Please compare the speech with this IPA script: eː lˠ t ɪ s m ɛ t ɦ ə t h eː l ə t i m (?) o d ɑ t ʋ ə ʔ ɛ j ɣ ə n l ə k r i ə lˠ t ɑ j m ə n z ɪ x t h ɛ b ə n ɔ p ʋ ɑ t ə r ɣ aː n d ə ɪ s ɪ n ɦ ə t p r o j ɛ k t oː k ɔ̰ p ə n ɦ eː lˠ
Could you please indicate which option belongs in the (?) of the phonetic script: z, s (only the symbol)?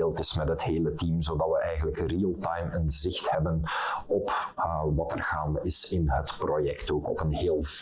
z